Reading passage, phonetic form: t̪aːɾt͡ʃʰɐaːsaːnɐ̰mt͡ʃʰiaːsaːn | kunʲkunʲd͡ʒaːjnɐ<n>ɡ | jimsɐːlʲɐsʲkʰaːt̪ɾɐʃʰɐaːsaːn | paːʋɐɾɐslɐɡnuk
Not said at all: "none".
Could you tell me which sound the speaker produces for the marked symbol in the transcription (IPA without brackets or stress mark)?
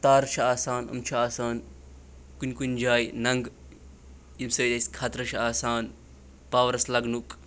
ŋ